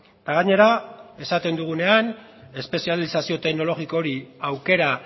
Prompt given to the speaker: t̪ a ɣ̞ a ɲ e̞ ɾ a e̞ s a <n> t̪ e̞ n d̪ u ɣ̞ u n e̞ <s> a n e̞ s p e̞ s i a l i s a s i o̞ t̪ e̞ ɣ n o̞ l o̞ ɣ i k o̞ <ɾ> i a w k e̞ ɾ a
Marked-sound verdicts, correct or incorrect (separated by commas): incorrect, incorrect, correct